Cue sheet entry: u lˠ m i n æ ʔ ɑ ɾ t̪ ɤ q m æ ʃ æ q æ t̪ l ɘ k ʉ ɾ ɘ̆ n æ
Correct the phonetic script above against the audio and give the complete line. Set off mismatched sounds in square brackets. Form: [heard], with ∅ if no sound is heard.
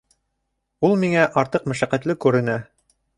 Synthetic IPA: u lˠ m i [ŋ] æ ʔ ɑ ɾ t̪ ɤ q m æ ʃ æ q æ t̪ l ɘ k ʉ ɾ ɘ̆ n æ